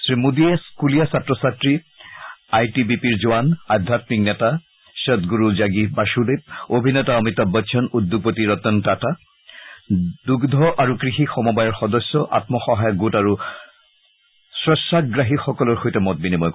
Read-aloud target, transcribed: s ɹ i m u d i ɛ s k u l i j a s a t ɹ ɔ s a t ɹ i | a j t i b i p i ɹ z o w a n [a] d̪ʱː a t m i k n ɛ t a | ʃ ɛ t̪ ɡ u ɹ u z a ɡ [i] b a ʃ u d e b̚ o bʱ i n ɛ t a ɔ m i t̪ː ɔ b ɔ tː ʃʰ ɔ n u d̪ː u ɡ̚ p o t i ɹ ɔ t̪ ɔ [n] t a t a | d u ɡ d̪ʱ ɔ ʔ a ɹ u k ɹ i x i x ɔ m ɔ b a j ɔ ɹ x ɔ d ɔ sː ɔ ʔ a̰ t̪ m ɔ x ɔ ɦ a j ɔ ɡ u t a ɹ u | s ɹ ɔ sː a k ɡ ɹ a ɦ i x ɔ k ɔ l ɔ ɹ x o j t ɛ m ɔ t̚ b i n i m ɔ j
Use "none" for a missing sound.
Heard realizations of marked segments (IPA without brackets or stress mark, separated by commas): a, i, n